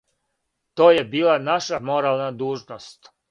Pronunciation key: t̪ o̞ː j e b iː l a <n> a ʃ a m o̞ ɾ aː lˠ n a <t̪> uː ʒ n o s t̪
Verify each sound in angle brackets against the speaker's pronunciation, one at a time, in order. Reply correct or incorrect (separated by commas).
correct, incorrect